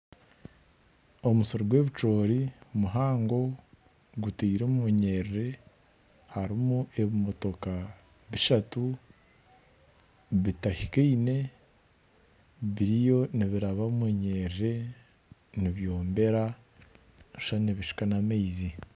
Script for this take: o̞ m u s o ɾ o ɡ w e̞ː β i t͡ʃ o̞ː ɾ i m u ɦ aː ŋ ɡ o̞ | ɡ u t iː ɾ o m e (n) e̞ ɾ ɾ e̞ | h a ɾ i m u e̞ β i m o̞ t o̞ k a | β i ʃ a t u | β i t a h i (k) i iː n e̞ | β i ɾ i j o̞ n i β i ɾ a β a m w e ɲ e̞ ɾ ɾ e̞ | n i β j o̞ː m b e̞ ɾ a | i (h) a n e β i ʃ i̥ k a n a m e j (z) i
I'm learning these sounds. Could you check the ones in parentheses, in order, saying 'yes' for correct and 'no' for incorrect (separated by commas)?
no, yes, no, yes